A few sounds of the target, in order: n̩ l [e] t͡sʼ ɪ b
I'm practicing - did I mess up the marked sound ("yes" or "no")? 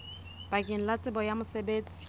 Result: yes